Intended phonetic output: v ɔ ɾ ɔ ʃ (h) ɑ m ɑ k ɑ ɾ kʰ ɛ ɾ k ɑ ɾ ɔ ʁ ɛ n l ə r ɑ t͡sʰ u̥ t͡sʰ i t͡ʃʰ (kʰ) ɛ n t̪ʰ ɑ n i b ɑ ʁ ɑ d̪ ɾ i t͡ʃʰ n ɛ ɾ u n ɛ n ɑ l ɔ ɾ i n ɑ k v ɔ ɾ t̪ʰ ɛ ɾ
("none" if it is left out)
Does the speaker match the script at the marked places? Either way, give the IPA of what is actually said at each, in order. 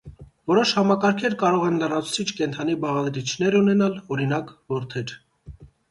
h, k

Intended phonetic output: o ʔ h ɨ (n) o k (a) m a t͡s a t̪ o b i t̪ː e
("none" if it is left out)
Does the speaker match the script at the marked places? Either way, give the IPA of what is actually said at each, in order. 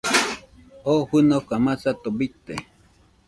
n, a

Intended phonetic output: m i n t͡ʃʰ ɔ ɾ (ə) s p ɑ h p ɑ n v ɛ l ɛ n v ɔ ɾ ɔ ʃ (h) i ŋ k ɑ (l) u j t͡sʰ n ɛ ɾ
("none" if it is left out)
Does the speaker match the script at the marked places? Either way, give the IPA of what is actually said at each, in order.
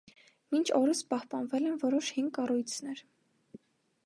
ə, h, r

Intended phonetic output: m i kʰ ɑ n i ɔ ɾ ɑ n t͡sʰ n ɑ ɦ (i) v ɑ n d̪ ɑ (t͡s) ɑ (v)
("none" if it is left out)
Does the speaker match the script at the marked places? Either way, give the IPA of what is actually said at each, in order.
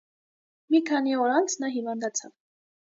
i, t͡sʰ, v

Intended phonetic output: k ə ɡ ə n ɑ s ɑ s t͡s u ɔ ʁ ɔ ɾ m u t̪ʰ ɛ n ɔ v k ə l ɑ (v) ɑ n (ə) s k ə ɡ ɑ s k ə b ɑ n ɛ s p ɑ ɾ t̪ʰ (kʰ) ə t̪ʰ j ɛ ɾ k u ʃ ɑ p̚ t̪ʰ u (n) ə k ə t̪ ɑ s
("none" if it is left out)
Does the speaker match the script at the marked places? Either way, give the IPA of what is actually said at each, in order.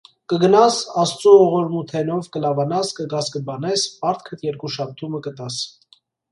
v, ɑ, kʰ, m

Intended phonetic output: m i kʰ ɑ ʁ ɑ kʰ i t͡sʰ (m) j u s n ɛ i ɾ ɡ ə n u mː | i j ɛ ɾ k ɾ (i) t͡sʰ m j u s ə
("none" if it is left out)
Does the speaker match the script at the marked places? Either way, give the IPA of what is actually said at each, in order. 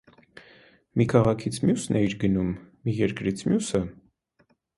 m, i

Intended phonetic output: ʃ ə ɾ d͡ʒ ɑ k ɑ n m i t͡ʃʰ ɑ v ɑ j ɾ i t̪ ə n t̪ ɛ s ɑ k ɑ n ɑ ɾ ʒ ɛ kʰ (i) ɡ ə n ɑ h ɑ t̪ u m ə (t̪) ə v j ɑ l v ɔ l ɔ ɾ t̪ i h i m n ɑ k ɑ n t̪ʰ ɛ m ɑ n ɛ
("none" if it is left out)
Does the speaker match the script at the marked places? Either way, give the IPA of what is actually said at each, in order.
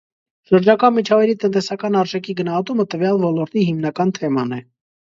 i, t̪

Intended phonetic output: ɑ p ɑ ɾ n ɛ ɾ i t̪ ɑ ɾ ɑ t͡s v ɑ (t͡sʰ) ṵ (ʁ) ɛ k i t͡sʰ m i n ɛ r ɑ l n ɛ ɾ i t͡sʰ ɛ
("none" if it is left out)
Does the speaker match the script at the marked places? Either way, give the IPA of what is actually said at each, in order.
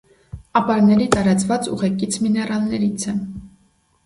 t͡s, ʁ

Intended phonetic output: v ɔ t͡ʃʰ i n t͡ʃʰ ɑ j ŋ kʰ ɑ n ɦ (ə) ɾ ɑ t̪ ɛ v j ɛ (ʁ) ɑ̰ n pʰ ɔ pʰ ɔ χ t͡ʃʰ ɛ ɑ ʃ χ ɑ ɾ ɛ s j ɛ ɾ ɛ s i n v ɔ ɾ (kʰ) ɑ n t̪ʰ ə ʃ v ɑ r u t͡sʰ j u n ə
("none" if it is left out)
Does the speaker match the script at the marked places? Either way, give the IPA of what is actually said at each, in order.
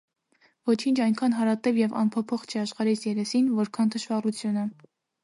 ɑ, v, kʰ

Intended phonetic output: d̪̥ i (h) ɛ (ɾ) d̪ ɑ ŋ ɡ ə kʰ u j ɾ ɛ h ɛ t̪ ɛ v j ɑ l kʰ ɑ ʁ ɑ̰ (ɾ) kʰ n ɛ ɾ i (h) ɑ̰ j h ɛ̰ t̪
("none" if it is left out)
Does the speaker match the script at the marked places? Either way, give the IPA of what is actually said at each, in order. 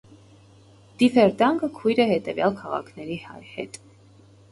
f, ɾ, none, h

